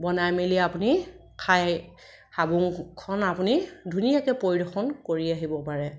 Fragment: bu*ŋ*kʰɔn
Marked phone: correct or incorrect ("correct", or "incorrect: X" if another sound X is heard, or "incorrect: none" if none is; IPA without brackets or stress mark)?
correct